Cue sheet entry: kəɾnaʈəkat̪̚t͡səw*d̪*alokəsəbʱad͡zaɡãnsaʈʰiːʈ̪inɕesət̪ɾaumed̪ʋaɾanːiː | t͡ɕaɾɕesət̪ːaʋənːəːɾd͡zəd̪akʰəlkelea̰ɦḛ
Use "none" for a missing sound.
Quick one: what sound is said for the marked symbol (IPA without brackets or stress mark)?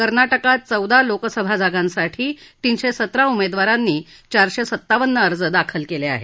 d̪